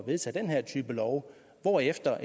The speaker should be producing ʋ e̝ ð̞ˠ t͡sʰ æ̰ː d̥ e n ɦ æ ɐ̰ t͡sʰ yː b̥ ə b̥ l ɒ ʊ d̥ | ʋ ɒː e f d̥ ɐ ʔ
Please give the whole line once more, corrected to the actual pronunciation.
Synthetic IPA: ʋ e̝ ð̞ˠ t͡sʰ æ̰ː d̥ e n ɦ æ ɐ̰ t͡sʰ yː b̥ ə l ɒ ʊ | ʋ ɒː e f d̥ ɐ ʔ